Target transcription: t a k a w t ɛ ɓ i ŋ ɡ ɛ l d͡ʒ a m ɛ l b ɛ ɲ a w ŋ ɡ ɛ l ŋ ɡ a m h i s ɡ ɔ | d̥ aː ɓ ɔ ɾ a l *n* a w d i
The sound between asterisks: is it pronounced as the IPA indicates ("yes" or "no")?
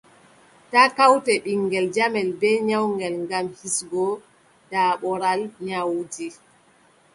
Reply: no